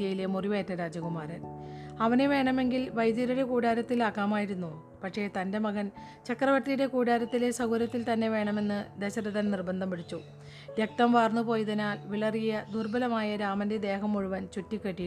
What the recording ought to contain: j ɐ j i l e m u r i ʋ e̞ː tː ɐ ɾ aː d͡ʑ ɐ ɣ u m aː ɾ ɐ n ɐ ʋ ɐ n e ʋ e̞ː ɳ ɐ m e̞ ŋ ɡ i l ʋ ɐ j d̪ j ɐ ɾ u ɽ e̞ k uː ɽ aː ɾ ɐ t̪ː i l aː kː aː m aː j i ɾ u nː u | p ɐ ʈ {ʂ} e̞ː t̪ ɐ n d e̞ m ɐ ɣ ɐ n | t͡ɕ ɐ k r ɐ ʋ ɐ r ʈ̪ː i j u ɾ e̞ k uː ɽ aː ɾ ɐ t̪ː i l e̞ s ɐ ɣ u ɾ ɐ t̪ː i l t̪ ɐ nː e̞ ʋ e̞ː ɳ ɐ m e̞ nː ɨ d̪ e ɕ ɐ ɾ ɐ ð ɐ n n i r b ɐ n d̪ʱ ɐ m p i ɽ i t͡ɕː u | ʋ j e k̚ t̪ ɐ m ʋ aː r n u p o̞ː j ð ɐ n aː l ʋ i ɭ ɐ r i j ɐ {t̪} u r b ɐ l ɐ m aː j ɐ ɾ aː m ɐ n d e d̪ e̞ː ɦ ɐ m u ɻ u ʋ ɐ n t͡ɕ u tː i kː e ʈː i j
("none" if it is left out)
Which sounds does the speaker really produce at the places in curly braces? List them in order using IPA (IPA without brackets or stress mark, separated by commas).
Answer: ʂ, d̪